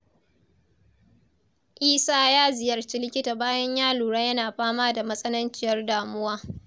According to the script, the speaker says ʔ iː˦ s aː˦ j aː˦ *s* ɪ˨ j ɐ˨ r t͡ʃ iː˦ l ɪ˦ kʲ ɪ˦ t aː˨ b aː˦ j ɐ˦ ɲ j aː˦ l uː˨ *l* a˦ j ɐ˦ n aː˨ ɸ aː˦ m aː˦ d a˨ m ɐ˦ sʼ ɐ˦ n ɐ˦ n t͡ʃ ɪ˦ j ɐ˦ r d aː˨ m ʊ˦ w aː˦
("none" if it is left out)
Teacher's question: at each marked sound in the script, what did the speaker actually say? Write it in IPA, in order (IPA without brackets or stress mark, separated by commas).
z, ɽ